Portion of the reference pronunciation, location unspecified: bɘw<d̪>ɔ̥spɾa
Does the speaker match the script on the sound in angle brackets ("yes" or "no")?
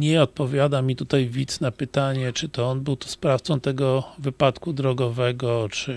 no